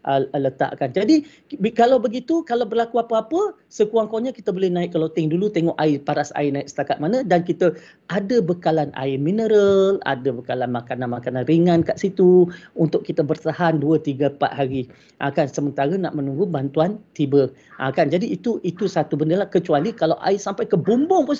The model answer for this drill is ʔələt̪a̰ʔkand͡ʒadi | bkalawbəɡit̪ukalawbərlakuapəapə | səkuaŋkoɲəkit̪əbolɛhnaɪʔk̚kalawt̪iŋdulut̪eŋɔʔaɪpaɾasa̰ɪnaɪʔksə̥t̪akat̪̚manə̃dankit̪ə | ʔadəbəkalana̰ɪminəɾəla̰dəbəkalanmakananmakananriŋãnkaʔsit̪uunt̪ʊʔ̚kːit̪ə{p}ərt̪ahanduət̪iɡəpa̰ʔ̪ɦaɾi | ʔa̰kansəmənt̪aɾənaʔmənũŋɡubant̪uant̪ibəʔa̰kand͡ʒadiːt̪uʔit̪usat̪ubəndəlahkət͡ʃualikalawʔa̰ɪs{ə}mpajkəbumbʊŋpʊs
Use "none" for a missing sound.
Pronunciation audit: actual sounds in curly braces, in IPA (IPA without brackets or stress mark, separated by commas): b, a